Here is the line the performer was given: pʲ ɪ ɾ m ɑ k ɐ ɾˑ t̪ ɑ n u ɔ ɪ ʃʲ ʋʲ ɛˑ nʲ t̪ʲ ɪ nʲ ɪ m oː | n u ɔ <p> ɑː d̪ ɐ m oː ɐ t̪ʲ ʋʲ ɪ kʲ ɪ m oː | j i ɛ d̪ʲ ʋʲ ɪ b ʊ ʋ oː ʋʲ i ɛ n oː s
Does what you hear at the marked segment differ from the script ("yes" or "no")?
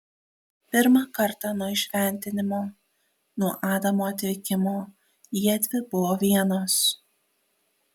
yes